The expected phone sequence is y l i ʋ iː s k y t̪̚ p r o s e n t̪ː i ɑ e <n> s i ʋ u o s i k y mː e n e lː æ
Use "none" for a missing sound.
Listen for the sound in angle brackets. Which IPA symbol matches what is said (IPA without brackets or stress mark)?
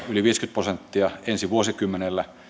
n